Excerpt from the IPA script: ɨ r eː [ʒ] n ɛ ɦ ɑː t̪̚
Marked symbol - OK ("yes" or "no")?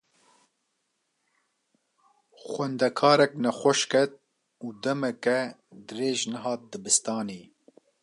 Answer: yes